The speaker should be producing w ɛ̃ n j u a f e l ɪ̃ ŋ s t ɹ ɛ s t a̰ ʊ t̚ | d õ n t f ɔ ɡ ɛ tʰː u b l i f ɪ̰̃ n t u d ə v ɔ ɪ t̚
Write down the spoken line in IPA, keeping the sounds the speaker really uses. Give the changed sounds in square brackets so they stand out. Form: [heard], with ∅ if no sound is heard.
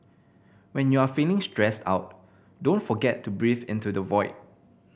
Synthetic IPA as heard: w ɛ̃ n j u a f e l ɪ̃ ŋ s t ɹ ɛ s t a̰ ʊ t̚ | d õ n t f ɔ ɡ ɛ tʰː u b [ɹ] i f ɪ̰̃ n t u d ə v ɔ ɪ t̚